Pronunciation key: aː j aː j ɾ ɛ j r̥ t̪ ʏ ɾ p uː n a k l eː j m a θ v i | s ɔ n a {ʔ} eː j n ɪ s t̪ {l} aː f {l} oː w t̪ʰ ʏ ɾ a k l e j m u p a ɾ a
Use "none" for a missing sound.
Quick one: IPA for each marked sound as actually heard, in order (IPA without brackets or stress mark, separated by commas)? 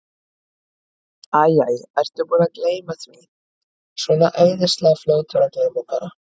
ʔ, l, l